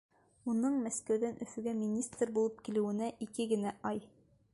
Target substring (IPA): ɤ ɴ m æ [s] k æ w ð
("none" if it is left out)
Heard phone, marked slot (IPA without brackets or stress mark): s